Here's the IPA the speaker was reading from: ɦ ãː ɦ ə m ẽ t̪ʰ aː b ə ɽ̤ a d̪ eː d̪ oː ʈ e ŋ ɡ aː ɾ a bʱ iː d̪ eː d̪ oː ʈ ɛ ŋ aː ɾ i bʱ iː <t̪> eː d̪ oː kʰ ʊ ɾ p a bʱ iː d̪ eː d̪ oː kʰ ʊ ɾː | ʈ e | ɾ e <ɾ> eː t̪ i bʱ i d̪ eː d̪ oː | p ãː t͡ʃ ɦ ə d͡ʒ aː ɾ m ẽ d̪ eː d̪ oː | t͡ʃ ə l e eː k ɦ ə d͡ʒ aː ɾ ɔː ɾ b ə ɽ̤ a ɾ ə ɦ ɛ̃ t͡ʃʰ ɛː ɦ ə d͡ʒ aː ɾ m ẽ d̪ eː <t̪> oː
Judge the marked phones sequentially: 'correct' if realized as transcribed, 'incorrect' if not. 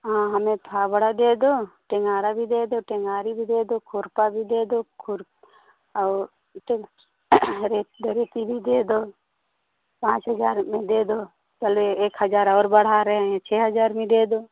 incorrect, correct, incorrect

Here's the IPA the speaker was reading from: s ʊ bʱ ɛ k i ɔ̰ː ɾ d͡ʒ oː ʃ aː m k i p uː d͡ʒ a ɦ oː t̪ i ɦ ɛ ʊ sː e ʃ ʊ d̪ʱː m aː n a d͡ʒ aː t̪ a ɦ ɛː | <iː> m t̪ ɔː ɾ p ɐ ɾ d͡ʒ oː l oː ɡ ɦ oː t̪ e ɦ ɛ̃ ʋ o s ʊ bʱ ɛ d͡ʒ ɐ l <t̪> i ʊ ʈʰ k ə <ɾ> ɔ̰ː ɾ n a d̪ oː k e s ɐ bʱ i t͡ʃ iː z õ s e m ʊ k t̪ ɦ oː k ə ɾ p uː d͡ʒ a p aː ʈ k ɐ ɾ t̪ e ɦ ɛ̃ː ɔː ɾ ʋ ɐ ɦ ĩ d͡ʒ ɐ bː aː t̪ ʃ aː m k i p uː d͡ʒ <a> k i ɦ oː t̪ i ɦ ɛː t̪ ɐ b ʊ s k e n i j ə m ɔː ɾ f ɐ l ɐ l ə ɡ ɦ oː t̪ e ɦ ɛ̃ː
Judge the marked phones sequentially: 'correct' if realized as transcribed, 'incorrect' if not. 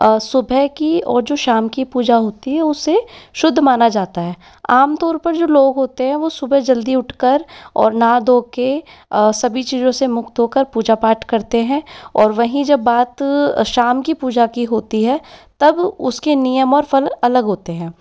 incorrect, incorrect, correct, correct

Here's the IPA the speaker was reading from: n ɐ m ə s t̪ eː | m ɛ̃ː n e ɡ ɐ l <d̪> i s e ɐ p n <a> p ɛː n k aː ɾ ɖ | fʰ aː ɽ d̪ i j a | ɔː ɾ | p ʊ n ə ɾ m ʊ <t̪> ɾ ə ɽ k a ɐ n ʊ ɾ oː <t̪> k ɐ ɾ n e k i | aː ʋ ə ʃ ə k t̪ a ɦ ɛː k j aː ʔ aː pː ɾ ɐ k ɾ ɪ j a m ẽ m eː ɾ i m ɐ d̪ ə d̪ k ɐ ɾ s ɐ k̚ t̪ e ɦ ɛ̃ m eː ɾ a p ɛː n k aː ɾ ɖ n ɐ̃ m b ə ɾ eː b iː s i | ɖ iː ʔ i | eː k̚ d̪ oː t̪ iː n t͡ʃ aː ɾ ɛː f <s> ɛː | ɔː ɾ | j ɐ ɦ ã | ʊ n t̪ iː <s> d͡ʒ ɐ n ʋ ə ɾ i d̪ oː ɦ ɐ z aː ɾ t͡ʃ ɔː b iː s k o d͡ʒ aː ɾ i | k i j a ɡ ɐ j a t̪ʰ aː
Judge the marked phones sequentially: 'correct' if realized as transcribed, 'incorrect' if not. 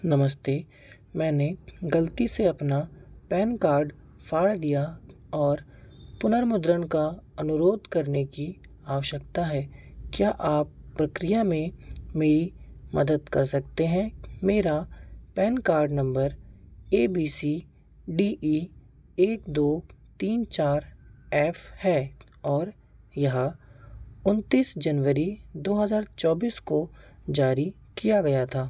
incorrect, correct, incorrect, incorrect, incorrect, correct

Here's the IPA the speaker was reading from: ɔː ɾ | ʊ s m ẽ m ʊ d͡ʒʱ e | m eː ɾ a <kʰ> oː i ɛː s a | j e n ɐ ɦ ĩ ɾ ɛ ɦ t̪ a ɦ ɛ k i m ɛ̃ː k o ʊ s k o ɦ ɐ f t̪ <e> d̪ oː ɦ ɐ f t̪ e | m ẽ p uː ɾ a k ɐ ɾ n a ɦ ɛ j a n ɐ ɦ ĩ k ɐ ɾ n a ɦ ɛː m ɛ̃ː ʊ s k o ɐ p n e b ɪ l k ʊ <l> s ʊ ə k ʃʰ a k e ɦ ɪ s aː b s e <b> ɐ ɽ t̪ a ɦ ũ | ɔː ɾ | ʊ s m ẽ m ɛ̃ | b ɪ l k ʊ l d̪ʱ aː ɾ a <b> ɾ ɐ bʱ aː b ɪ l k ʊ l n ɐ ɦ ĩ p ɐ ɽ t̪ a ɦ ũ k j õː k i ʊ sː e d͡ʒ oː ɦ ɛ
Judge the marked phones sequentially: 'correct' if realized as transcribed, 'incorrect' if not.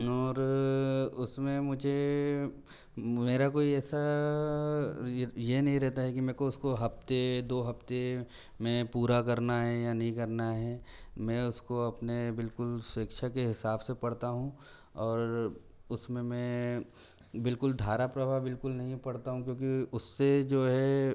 incorrect, correct, correct, incorrect, incorrect

